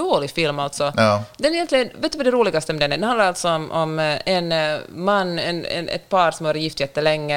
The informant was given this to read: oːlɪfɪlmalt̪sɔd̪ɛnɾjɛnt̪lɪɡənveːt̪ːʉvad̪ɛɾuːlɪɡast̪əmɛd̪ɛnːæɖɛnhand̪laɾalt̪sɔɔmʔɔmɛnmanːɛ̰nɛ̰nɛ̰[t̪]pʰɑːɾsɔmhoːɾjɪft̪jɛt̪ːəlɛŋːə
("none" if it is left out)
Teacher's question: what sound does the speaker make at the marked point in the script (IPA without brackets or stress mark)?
t̪